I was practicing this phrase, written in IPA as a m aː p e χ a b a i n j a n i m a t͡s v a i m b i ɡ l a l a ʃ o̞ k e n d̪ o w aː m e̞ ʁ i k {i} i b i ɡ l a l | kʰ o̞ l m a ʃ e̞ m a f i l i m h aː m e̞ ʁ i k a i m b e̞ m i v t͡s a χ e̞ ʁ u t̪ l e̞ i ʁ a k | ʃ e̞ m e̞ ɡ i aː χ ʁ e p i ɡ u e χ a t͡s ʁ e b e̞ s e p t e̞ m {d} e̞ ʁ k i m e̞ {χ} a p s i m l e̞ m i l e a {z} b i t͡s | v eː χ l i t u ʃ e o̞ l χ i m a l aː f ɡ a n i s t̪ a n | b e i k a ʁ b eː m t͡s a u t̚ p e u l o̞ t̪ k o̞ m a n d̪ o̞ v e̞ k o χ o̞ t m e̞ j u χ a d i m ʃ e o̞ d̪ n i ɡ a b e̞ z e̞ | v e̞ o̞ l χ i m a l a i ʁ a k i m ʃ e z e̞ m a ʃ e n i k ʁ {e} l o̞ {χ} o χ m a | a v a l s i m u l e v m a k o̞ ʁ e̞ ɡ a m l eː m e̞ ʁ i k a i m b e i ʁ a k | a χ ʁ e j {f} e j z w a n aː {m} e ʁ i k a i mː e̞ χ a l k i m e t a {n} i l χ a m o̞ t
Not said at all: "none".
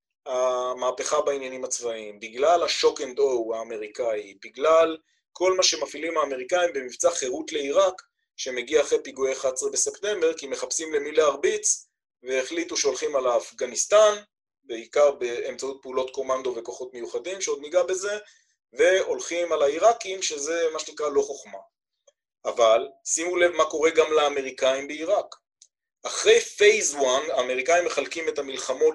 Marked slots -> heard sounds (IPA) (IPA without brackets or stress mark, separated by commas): a, b, χ, ʁ, a, χ, f, m, m